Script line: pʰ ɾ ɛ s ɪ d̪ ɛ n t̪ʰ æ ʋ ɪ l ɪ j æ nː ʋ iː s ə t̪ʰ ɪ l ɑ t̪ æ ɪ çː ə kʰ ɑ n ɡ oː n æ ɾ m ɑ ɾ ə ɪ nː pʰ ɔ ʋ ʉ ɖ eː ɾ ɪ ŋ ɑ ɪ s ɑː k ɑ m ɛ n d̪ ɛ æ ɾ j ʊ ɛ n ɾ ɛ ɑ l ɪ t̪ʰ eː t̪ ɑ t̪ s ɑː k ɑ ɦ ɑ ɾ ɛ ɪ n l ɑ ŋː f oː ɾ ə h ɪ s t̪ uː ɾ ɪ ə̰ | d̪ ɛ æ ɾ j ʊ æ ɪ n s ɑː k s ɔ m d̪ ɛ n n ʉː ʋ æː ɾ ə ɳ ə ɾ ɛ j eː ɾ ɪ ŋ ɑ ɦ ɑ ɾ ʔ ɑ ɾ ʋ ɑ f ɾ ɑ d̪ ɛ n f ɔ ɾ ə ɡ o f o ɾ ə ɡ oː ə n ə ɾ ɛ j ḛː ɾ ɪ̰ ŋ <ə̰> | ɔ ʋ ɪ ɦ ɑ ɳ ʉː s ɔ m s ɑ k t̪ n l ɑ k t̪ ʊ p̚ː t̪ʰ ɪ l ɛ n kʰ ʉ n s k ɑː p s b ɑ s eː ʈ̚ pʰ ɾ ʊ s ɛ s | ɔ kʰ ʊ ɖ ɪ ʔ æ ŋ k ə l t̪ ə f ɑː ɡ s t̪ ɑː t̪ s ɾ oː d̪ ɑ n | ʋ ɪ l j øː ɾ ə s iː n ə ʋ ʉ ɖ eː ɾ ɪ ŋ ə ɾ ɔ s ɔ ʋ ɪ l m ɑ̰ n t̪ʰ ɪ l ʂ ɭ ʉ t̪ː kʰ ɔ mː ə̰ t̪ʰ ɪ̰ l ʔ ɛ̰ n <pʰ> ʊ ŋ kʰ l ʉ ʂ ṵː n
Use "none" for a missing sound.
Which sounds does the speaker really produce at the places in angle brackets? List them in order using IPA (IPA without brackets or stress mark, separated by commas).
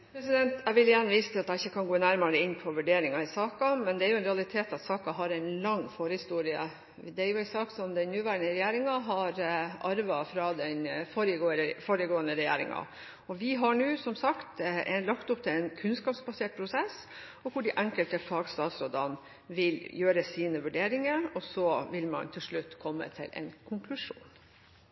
ɑ̰, kʰ